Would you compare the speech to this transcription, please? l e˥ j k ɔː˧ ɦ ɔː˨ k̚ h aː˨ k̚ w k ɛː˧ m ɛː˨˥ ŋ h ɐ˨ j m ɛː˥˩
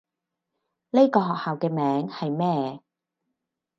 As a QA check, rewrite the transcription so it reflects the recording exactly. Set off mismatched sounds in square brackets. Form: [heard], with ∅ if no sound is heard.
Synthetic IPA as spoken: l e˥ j k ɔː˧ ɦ ɔː˨ k̚ h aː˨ [∅] w k ɛː˧ m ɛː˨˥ ŋ h ɐ˨ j m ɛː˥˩